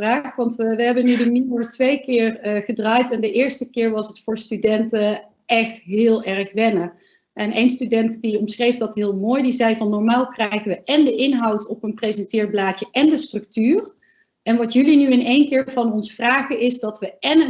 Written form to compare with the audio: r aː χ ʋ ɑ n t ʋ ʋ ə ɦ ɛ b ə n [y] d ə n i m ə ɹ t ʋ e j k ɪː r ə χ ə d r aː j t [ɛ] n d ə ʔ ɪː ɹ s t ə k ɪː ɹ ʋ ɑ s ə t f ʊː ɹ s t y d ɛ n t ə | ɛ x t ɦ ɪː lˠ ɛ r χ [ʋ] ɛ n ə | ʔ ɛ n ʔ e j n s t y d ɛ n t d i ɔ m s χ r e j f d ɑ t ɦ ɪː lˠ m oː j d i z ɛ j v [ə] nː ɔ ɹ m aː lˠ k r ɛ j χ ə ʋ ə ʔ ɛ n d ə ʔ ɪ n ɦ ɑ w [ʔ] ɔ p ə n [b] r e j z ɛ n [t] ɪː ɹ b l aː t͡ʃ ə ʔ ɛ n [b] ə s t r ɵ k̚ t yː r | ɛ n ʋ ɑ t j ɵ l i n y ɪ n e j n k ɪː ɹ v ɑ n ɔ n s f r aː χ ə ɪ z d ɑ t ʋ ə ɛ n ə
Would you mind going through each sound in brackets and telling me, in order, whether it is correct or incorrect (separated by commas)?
correct, correct, correct, incorrect, incorrect, incorrect, correct, incorrect